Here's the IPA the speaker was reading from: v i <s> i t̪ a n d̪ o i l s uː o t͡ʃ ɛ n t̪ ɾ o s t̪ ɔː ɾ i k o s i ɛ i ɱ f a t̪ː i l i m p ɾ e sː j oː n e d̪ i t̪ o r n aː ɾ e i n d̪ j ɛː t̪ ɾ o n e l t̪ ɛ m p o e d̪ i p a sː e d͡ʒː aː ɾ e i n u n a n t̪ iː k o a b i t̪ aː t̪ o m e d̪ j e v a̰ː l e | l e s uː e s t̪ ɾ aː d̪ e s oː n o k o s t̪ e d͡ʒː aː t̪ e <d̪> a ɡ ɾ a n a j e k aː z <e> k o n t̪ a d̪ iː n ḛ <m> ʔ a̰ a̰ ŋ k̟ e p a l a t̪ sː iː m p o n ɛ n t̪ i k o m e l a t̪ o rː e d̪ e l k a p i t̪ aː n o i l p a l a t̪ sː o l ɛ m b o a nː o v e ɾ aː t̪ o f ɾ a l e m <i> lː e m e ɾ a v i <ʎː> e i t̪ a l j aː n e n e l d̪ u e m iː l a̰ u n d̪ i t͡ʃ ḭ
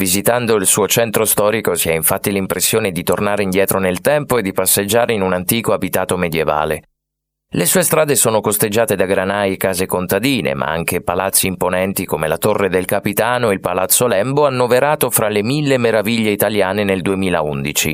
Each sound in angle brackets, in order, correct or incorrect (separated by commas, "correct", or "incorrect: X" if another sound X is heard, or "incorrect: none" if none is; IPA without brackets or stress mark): incorrect: z, correct, correct, correct, correct, correct